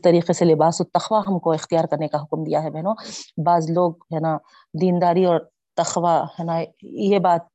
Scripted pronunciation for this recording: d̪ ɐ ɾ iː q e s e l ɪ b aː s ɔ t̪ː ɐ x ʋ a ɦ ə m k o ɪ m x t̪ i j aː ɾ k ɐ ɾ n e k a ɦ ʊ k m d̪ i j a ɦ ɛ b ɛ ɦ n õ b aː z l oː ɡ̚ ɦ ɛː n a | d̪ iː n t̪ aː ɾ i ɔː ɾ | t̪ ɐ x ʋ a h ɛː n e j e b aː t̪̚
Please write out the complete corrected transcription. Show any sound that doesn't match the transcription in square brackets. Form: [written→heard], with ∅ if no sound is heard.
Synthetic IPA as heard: [d̪→t̪] ɐ ɾ iː q e s e l ɪ b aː s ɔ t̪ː ɐ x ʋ a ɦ [ə→ɐ] m k o ɪ [m→∅] x t̪ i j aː ɾ k ɐ ɾ n e k a ɦ ʊ k m d̪ i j a ɦ ɛ b ɛ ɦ n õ b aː z l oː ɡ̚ ɦ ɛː n a | d̪ iː n [t̪→d̪] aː ɾ i ɔː ɾ | t̪ ɐ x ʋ a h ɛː n [e→a] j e b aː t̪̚